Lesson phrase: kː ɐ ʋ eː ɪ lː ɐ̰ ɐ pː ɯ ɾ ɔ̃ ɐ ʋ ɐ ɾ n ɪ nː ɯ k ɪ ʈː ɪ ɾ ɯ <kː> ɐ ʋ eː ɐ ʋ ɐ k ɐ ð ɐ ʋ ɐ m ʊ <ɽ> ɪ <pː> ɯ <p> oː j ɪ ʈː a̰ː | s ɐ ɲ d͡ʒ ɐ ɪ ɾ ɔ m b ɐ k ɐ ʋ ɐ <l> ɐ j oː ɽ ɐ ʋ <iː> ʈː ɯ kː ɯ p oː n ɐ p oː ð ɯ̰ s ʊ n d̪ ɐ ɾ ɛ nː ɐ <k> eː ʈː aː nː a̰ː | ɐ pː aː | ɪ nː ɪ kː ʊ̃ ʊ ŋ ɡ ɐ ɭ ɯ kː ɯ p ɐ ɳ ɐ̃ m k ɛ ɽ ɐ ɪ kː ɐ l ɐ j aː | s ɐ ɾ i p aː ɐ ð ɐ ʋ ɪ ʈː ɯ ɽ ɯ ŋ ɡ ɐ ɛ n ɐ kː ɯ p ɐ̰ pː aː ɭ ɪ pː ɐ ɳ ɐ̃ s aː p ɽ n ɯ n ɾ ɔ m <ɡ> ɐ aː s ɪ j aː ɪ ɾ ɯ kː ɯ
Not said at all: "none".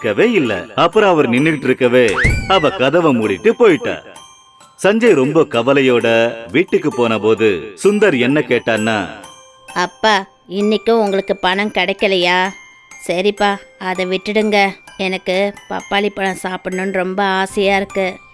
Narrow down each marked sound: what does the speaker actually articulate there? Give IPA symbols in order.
kː, ɽ, ʈː, p, l, iː, k, b

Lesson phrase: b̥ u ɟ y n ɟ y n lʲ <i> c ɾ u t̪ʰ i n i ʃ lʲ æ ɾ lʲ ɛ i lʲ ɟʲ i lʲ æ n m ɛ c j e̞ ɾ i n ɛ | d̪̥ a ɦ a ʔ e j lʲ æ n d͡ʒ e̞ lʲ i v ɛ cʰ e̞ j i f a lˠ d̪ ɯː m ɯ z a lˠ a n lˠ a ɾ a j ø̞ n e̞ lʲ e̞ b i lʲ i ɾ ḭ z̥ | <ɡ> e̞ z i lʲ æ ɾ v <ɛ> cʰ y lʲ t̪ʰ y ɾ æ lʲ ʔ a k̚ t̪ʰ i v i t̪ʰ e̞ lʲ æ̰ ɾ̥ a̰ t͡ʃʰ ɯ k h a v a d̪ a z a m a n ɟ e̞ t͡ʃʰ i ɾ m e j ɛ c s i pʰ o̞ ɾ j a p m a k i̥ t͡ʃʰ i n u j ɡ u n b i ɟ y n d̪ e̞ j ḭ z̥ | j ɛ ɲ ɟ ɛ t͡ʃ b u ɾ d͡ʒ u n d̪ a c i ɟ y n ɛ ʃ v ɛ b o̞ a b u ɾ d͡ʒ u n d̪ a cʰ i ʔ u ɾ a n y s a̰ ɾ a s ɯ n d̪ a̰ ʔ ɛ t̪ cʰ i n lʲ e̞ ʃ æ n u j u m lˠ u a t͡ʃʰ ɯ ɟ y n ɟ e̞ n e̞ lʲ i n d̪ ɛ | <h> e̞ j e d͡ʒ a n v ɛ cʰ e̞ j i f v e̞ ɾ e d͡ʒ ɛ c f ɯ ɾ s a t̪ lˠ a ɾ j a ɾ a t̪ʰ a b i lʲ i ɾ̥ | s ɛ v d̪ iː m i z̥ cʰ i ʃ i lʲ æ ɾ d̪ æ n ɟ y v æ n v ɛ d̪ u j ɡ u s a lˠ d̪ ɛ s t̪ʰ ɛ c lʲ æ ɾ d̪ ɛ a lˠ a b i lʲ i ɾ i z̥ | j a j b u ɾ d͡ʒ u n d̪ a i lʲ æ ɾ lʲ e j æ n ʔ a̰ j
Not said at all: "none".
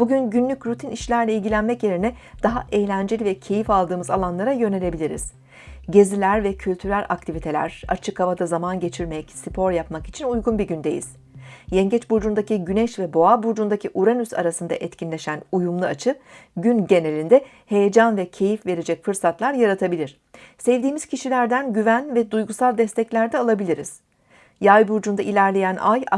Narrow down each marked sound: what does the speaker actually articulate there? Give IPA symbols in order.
y, ɟ, ɛ, h

